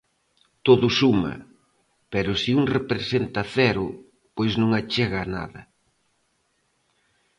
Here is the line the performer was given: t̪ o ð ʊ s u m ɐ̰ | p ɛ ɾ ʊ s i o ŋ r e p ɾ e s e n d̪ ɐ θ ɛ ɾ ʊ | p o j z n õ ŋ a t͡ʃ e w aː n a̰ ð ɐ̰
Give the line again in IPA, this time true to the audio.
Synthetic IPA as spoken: t̪ o ð ʊ s u m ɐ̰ | p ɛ ɾ ʊ s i u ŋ r e p ɾ e s e n t̪ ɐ θ ɛ ɾ ʊ | p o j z n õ ŋ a t͡ʃ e ɣ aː n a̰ ð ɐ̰